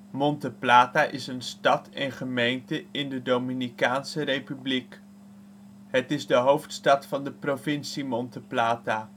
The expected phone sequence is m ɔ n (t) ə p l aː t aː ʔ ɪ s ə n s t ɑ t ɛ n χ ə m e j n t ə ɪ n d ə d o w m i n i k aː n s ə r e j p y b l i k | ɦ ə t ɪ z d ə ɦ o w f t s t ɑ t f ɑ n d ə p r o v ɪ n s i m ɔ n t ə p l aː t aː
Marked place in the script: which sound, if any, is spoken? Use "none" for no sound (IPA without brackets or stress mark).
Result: t